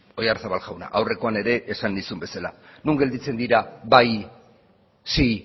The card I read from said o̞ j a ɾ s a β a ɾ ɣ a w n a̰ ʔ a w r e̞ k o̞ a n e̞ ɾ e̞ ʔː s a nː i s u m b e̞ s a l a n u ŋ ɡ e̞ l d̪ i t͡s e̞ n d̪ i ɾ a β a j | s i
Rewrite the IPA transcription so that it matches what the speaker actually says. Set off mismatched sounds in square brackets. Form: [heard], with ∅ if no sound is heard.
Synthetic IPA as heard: o̞ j a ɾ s a β a [l] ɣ a w n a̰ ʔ a w r e̞ k o̞ a n e̞ ɾ e̞ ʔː s a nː i s u m b e̞ s a l a n u ŋ ɡ e̞ l d̪ i t͡s e̞ n d̪ i ɾ a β a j | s i